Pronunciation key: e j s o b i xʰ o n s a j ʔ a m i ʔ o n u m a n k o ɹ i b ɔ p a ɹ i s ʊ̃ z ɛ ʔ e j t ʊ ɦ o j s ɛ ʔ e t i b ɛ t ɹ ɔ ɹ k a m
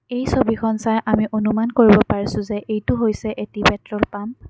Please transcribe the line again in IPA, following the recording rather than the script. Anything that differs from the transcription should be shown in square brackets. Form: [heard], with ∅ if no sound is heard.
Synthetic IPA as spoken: e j s o b i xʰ [ɔ] n s a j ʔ a m i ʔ o n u m a n k o ɹ i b ɔ p a ɹ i s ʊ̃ z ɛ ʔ e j t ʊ ɦ o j s ɛ ʔ e t i b ɛ t ɹ ɔ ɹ [p] a m